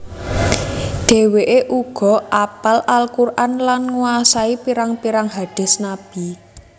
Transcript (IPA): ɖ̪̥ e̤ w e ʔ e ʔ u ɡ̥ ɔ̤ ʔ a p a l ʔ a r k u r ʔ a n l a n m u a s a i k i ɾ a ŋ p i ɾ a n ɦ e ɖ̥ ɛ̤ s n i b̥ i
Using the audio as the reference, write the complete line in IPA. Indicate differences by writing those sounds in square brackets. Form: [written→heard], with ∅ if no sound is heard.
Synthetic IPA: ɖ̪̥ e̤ w e ʔ e ʔ u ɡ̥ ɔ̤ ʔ a p a l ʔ a [r→l] k u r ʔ a n l a n [m→ŋ] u a s a i [k→p] i ɾ a ŋ p i ɾ a [n→ŋ] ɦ [e→a] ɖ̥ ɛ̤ s n [i→a] b̥ i